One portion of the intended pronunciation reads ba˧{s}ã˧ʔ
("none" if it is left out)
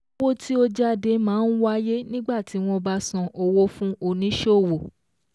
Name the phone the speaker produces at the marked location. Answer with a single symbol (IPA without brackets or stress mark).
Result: s